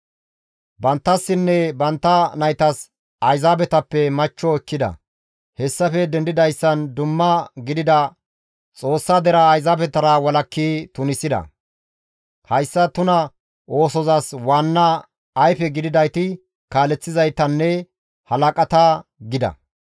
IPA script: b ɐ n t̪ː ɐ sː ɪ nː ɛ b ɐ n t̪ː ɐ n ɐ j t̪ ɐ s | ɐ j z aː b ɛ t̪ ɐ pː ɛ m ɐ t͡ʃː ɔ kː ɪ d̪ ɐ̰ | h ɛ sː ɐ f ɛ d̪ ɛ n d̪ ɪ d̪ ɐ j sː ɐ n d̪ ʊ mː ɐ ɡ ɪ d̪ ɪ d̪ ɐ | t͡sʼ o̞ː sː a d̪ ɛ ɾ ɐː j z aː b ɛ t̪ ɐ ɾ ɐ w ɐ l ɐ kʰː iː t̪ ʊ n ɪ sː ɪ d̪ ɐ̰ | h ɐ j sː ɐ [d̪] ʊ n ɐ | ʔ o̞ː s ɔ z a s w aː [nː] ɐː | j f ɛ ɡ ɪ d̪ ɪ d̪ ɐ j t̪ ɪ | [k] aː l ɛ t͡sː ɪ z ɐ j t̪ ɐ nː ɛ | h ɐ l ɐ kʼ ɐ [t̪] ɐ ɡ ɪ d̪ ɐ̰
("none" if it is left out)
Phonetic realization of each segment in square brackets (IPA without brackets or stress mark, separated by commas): t̪, nː, k, t̪